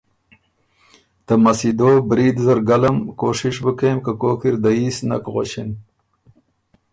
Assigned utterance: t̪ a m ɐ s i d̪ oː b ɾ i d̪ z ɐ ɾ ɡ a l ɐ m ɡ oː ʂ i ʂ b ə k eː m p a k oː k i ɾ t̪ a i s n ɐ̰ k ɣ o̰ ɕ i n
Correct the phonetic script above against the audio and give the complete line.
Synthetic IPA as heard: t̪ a m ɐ s i d̪ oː b ɾ i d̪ z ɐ ɾ ɡ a l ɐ m k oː ʂ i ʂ b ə k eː m k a k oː k i ɾ d̪ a i s n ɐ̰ k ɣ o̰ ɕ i n